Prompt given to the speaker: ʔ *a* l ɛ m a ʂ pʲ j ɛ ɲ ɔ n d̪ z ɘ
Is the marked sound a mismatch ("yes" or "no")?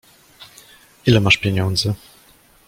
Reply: yes